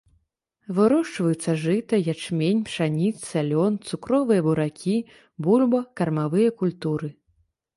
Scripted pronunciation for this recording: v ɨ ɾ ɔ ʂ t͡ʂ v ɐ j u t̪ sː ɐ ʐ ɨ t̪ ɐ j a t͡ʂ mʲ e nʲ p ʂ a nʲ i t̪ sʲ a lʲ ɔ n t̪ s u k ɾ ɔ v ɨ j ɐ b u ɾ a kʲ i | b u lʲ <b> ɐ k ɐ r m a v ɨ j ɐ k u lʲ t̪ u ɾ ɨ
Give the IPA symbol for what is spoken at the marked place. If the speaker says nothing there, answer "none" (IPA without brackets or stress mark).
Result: b